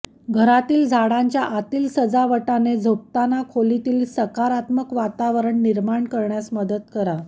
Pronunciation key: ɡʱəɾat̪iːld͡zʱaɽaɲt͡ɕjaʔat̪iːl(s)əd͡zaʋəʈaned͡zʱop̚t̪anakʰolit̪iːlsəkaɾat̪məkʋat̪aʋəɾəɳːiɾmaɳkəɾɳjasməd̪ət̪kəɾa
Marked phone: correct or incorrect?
correct